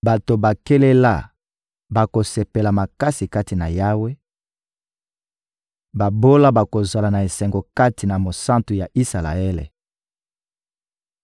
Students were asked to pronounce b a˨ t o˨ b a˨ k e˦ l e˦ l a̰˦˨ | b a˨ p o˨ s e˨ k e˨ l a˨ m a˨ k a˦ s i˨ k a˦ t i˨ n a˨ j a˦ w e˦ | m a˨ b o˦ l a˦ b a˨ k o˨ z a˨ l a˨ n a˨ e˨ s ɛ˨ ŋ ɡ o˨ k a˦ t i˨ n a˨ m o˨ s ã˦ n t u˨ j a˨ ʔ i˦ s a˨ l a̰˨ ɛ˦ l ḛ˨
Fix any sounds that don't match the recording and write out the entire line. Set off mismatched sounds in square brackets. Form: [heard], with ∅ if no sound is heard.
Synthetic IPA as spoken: b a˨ t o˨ b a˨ k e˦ l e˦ l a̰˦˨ | b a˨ [k] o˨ s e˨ [p] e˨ l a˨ m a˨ k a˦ s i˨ k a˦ t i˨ n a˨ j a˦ w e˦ | [b] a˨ b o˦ l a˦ b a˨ k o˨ z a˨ l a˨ n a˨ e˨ s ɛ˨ ŋ ɡ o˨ k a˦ t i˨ n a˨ m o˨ s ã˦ n t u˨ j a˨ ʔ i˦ s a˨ l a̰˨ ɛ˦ l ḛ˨